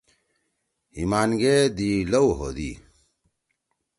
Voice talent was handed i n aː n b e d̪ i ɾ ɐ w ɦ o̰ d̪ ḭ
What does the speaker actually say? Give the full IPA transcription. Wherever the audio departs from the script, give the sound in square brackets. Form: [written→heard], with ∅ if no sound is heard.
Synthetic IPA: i [n→m] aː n [b→ɡ] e d̪ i [ɾ→l] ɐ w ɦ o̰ d̪ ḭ